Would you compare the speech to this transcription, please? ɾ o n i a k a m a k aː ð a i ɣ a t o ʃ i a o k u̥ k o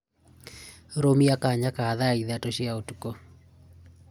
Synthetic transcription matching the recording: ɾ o m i a k a ɲ a k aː ð a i ð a t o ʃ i a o t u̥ k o